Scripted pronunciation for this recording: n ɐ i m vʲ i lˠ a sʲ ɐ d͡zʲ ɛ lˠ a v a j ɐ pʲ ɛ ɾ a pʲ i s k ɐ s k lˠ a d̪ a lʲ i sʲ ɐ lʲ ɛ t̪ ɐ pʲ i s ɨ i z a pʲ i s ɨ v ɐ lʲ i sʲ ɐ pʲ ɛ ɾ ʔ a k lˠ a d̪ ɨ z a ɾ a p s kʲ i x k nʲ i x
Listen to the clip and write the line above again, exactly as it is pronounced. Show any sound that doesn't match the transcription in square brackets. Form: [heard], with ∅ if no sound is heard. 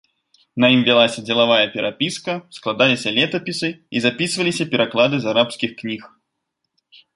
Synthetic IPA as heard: n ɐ i m vʲ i lˠ a sʲ ɐ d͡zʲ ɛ lˠ a v a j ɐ pʲ ɛ ɾ a pʲ i s k ɐ s k lˠ a d̪ a lʲ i sʲ ɐ lʲ ɛ t̪ ɐ pʲ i s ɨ i z a pʲ i s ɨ v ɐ lʲ i sʲ ɐ pʲ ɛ ɾ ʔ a k lˠ a d̪ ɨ z a ɾ a p s kʲ i x k nʲ i x